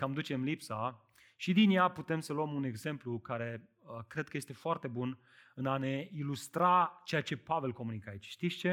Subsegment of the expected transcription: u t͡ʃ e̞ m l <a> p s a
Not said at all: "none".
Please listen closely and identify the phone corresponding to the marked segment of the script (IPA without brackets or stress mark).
i